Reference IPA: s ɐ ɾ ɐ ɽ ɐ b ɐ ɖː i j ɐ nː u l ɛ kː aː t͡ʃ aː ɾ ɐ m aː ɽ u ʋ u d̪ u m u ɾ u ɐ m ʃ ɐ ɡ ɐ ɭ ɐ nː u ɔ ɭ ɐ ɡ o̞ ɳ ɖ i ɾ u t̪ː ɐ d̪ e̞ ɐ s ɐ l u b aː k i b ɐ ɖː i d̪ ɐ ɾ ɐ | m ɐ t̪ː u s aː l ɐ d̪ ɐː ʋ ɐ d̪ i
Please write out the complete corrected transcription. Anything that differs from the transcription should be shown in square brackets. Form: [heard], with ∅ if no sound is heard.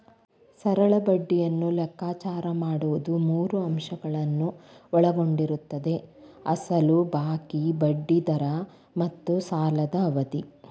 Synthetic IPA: s ɐ ɾ ɐ [ɭ] ɐ b ɐ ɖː i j ɐ nː u l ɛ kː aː t͡ʃ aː ɾ ɐ m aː ɽ u ʋ u d̪ u m [uː] ɾ u ɐ m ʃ ɐ ɡ ɐ ɭ ɐ nː u ɔ ɭ ɐ ɡ o̞ ɳ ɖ i ɾ u t̪ː ɐ d̪ e̞ ɐ s ɐ l u b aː k i b ɐ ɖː i d̪ ɐ ɾ ɐ | m ɐ t̪ː u s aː l ɐ d̪ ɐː ʋ ɐ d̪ i

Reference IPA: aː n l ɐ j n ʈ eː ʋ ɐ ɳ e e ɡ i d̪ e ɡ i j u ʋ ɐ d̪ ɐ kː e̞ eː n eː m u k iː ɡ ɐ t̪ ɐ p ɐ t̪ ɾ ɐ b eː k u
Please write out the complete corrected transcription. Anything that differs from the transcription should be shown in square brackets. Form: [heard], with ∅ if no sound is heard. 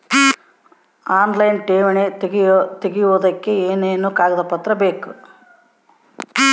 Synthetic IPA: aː n l ɐ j n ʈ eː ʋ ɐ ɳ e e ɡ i [t̪] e ɡ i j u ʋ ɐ d̪ ɐ kː e̞ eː n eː [n] u k [aː] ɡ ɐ [d̪] ɐ p ɐ t̪ ɾ ɐ b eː k u

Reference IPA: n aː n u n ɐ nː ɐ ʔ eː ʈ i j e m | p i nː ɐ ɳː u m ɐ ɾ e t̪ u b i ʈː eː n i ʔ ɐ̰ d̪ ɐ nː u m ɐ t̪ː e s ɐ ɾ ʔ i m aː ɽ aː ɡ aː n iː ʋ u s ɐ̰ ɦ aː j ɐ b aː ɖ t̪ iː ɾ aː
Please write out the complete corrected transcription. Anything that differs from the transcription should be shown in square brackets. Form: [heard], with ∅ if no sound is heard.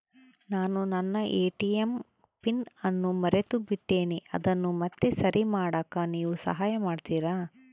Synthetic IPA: n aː n u n ɐ nː ɐ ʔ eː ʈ i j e m | p i [n] ɐ [nː] u m ɐ ɾ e t̪ u b i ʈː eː n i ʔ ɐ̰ d̪ ɐ nː u m ɐ t̪ː e s ɐ ɾ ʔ i m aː ɽ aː [k] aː n iː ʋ u s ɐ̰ ɦ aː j ɐ [m] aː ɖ t̪ iː ɾ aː

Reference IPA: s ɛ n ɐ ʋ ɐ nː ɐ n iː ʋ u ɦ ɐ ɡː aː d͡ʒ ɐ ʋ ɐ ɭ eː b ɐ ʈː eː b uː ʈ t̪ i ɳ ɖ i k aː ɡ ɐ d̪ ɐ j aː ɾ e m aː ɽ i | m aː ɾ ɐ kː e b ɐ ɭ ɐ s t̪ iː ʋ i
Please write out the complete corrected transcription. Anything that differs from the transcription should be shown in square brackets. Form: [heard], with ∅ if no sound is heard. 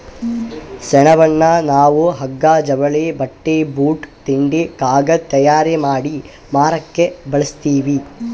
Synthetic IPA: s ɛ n ɐ ʋ ɐ nː ɐ n [aː] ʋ u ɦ ɐ ɡː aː d͡ʒ ɐ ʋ ɐ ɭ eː b ɐ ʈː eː b uː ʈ t̪ i ɳ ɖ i k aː ɡ ɐ [t̪] ɐ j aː ɾ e m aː ɽ i | m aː ɾ ɐ kː e b ɐ ɭ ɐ s t̪ iː ʋ i

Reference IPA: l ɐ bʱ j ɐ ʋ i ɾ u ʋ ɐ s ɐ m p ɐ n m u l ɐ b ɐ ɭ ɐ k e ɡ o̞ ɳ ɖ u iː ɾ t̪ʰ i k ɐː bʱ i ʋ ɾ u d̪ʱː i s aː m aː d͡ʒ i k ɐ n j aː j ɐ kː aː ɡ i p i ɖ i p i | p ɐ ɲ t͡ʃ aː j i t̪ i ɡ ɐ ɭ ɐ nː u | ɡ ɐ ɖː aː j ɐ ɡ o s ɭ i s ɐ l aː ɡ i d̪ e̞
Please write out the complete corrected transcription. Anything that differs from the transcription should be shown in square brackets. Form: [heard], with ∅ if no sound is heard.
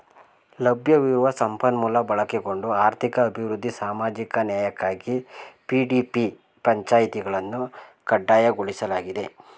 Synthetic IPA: l ɐ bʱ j ɐ ʋ i ɾ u ʋ ɐ s ɐ m p ɐ n m u l ɐ b ɐ ɭ ɐ k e ɡ o̞ ɳ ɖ u [aː] ɾ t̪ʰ i k ɐː bʱ i ʋ ɾ u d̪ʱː i s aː m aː d͡ʒ i k ɐ n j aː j ɐ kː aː ɡ i p i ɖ i p i | p ɐ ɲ t͡ʃ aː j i t̪ i ɡ ɐ ɭ ɐ nː u | [k] ɐ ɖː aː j ɐ ɡ o [∅] ɭ i s ɐ l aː ɡ i d̪ e̞

